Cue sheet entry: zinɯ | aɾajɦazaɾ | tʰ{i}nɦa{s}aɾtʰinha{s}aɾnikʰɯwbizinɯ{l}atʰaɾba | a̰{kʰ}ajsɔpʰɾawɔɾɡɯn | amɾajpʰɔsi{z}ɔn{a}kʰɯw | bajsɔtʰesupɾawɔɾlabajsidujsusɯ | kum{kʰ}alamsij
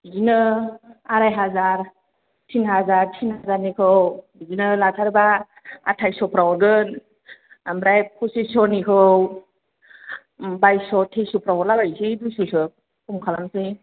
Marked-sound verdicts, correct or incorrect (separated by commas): correct, incorrect, incorrect, correct, incorrect, incorrect, incorrect, correct